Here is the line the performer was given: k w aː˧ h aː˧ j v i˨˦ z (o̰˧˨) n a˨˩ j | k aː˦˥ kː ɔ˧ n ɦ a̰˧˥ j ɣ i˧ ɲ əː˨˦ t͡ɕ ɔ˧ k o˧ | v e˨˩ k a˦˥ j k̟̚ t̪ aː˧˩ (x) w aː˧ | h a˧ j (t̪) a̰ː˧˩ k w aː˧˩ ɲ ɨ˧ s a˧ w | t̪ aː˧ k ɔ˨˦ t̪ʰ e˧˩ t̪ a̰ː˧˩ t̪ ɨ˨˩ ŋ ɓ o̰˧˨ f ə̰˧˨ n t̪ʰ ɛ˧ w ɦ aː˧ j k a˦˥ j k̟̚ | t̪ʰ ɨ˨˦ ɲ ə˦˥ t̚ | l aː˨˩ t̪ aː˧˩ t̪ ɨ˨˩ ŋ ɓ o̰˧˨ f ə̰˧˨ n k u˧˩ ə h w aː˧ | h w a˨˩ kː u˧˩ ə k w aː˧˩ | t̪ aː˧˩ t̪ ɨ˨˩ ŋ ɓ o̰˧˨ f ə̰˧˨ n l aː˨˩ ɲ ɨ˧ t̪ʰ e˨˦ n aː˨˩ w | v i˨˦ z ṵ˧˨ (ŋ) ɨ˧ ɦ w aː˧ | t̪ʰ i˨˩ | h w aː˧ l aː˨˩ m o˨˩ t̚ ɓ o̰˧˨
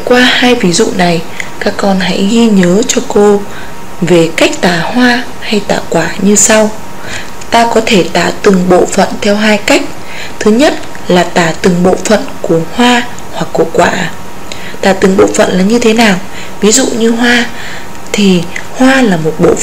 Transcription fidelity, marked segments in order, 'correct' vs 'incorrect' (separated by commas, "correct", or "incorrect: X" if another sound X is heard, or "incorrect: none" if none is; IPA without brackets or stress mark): incorrect: ṵ˧˨, incorrect: h, correct, incorrect: ɲ